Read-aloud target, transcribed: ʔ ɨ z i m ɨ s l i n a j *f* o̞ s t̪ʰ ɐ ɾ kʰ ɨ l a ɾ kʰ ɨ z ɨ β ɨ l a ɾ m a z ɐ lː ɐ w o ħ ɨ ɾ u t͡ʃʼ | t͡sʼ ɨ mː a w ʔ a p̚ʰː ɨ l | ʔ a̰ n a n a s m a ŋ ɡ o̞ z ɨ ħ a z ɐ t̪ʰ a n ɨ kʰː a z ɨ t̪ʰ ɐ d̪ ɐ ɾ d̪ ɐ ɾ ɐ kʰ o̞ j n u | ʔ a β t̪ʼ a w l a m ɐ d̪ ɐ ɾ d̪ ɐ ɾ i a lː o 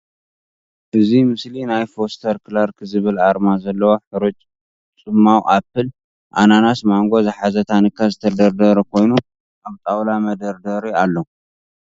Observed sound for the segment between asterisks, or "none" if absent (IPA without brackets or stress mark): f